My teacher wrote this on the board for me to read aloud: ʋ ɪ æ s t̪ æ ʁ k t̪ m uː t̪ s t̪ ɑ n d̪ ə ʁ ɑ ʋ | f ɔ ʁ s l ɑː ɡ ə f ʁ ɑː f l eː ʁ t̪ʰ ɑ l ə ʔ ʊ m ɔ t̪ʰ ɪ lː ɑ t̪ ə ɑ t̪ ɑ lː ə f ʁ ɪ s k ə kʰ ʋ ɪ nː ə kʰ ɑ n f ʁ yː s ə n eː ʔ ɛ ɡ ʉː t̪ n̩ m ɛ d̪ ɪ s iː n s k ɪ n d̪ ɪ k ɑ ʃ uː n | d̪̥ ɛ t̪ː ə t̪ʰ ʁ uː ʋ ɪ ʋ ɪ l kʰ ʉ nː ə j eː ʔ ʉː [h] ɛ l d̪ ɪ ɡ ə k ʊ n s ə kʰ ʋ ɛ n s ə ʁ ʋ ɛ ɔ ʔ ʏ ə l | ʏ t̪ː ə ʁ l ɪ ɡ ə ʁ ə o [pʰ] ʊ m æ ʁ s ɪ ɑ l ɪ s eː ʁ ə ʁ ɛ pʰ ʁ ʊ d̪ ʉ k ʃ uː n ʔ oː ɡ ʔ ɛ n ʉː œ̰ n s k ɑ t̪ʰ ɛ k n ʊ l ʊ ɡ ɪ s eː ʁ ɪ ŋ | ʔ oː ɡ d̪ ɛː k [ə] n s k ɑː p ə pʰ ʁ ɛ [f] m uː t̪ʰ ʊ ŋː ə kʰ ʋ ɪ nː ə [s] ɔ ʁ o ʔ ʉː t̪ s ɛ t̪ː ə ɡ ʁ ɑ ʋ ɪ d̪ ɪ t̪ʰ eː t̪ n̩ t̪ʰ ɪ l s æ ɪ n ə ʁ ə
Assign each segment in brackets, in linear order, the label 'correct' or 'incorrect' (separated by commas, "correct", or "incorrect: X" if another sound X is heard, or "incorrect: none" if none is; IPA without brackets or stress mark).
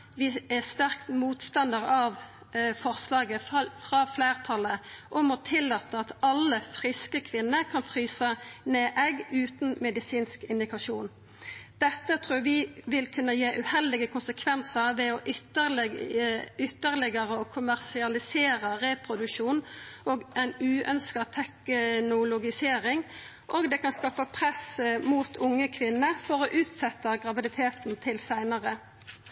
correct, incorrect: kʰ, incorrect: ɑ, incorrect: s, incorrect: f